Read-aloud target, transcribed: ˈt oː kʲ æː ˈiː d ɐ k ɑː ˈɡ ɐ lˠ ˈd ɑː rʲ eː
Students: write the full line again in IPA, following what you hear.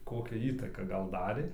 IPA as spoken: ˈk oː kʲ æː ˈiː t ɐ k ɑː ˈɡ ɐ lˠ ˈd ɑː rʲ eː